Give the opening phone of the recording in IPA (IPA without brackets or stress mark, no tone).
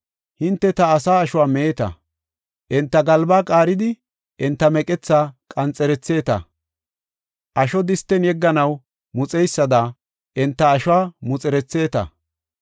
h